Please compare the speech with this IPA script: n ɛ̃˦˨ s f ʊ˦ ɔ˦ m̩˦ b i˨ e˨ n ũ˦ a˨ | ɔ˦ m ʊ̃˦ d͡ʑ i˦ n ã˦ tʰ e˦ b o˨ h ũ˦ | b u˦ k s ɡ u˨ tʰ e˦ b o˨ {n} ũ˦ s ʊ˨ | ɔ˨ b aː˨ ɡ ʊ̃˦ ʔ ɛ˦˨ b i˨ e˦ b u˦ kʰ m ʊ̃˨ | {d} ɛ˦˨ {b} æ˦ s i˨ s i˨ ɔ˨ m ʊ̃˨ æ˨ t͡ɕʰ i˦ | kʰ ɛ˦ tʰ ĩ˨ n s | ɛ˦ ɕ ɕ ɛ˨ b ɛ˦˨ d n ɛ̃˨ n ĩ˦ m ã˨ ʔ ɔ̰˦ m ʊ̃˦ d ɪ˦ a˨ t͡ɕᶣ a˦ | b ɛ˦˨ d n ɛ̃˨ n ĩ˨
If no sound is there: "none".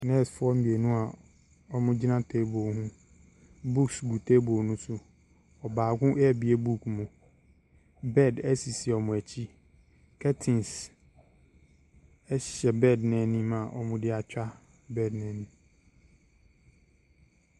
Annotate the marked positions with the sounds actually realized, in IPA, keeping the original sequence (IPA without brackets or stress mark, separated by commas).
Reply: n, b, d